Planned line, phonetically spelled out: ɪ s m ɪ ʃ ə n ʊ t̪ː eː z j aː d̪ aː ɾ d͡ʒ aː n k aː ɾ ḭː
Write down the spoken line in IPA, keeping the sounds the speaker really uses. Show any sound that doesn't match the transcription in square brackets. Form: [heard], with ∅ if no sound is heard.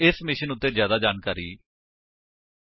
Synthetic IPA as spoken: ɪ s m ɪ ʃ ə n ʊ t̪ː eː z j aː d̪ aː [∅] d͡ʒ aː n k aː ɾ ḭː

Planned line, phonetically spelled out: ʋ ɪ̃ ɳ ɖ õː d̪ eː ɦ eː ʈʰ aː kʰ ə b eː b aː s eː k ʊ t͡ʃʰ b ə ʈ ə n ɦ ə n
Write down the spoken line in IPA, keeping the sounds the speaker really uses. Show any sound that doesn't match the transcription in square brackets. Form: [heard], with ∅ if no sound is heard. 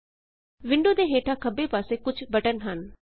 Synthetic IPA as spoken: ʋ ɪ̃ ɳ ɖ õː d̪ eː ɦ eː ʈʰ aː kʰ ə b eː [p] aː s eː k ʊ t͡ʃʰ b ə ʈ ə n ɦ ə n

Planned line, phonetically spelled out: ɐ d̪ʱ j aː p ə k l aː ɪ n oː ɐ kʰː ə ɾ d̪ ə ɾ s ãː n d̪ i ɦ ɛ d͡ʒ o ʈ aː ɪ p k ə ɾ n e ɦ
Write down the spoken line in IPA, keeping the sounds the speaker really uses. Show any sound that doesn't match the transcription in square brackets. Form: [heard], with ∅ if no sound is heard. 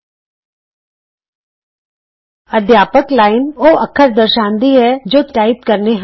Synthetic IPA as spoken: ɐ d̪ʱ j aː p ə k l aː ɪ n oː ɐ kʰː ə ɾ d̪ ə ɾ [ʃ] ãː n d̪ i ɦ ɛ d͡ʒ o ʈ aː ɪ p k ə ɾ n e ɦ

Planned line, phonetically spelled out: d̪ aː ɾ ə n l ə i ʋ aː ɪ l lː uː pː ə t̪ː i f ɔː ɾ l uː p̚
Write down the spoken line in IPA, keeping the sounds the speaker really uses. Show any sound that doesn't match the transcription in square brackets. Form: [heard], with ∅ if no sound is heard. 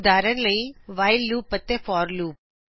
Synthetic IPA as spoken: d̪ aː ɾ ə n l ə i ʋ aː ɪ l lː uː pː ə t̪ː [e] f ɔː ɾ l uː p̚

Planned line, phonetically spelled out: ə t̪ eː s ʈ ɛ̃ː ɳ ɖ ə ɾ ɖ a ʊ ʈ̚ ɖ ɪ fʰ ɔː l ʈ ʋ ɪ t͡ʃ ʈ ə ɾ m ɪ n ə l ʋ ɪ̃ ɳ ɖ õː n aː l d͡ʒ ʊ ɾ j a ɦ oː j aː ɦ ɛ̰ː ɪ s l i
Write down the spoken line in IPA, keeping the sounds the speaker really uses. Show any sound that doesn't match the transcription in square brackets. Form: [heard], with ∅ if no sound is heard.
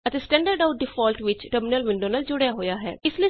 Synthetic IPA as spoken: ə t̪ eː s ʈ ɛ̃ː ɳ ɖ ə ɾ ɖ a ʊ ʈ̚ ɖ ɪ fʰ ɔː l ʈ ʋ ɪ t͡ʃ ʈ ə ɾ m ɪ n ə l ʋ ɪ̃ ɳ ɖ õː n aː l d͡ʒ ʊ [ɽ] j a ɦ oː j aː ɦ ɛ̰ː ɪ s l i

